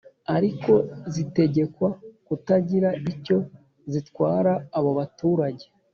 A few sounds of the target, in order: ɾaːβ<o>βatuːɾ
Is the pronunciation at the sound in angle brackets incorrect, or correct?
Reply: correct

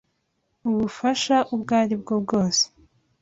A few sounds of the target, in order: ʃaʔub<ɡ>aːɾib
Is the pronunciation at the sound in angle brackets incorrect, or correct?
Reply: correct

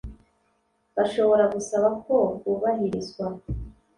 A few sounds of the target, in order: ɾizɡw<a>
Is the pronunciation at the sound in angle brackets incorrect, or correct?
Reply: correct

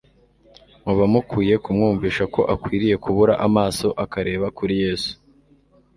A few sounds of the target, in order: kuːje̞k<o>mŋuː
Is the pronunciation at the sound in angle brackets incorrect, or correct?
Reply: incorrect: u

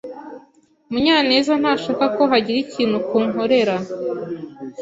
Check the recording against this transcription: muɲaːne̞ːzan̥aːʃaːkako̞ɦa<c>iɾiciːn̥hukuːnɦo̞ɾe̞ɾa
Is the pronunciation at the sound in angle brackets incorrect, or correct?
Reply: incorrect: ɟ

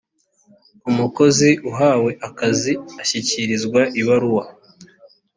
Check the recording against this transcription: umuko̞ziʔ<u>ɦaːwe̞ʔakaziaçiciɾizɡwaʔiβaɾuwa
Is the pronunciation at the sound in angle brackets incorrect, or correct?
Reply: correct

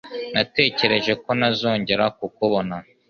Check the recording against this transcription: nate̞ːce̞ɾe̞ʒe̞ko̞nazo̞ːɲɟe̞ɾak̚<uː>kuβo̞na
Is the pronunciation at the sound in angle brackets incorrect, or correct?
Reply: incorrect: u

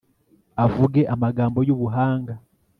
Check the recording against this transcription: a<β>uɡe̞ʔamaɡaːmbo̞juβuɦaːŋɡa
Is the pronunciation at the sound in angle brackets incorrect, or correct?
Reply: incorrect: v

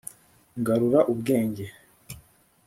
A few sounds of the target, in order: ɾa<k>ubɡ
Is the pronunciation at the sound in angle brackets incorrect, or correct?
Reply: incorrect: ʔ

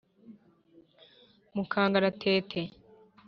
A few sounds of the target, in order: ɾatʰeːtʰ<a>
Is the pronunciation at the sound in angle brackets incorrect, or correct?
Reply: incorrect: e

